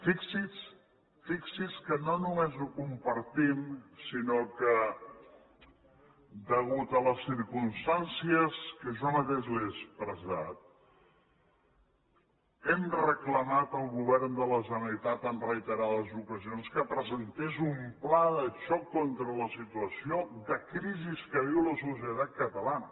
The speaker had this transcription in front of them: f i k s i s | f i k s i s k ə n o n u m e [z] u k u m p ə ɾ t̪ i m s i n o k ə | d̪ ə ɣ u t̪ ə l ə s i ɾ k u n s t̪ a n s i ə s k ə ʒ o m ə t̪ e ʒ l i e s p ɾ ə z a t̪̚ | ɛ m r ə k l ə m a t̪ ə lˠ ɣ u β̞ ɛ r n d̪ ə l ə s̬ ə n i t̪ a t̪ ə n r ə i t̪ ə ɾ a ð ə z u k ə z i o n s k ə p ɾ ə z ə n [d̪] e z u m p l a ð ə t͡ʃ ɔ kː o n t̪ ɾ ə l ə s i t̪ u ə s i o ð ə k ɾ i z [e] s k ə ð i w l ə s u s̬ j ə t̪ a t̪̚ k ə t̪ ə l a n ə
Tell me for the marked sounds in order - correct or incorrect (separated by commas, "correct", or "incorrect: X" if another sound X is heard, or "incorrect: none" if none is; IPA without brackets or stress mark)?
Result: correct, incorrect: t̪, incorrect: i